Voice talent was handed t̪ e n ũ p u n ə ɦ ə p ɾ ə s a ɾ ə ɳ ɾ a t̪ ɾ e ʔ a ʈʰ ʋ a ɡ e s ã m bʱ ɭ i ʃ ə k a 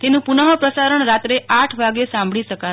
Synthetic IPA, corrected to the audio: t̪ e n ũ p u n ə ɦ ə p ɾ ə s a ɾ ə ɳ ɾ a t̪ ɾ e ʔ a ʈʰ ʋ a ɡ e s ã m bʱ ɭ i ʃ ə k a

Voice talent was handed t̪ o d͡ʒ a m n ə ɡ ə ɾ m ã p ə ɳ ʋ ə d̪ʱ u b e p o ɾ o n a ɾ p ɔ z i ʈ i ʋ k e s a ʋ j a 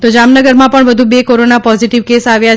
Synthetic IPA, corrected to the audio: t̪ o d͡ʒ a m n ə ɡ ə ɾ m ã p ə ɳ ʋ ə d̪ʱ u b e k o ɾ o n a p ɔ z i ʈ i ʋ k e s a ʋ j a

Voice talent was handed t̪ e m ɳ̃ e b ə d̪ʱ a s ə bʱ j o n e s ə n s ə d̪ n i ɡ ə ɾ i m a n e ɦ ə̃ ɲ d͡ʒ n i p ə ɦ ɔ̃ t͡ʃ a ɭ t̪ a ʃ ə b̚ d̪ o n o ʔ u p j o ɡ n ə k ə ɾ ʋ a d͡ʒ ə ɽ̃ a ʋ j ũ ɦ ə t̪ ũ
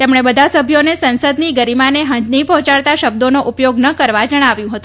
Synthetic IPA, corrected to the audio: t̪ e m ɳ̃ e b ə d̪ʱ a s ə bʱ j o n e s ə n s ə d̪ n i ɡ ə ɾ i m a n e ɦ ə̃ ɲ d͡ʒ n i p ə ɦ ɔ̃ t͡ʃ a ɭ t̪ a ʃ ə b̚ d̪ o n o ʔ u p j o ɡ n ə k ə ɾ ʋ a d͡ʒ ə ɽ̃ a ʋ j ũ ɦ ə t̪ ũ

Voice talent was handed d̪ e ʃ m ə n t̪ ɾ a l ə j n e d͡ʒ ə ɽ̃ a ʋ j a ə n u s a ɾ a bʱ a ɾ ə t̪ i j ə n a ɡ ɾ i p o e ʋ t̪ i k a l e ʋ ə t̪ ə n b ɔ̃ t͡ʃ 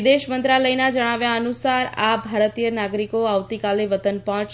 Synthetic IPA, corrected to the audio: d̪ e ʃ m ə n t̪ ɾ a l ə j n a d͡ʒ ə ɽ̃ a ʋ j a ə n u s a ɾ a bʱ a ɾ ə t̪ i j ə n a ɡ ɾ i k o a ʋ t̪ i k a l e ʋ ə t̪ ə n p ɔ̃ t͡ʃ

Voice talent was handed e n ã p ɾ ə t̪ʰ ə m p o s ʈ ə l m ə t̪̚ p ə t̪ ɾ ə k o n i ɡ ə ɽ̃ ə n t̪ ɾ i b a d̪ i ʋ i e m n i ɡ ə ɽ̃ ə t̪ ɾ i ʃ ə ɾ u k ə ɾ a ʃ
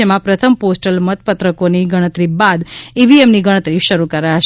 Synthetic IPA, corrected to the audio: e m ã p ɾ ə t̪ʰ ə m p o s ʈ ə l m ə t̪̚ p ə t̪ ɾ ə k o n i ɡ ə ɽ̃ ə t̪ ɾ i b a d̪ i ʋ i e m n i ɡ ə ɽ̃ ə t̪ ɾ i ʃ ə ɾ u k ə ɾ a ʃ

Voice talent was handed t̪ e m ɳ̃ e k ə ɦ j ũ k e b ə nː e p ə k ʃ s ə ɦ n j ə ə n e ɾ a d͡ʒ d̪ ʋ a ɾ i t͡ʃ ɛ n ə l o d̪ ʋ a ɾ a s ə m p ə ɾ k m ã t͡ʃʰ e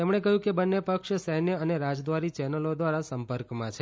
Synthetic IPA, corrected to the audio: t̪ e m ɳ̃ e k ə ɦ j ũ k e b ə nː e p ə k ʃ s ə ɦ n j ə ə n e ɾ a d͡ʒ d̪ ʋ a ɾ i t͡ʃ ɛ n ə l o d̪ ʋ a ɾ a s ə m p ə ɾ k m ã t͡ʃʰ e

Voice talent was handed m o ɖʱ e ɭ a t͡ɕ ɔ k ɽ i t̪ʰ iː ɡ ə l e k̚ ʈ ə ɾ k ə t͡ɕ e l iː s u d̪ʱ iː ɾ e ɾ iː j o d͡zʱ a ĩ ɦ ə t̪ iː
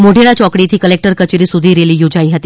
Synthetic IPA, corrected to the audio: m o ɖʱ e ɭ a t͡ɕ ɔ k ɽ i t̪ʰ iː k ə l e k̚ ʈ ə ɾ k ə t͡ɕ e ɾ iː s u d̪ʱ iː ɾ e l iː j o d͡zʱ a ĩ ɦ ə t̪ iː

